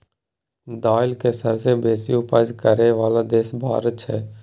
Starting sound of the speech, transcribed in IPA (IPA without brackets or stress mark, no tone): d̪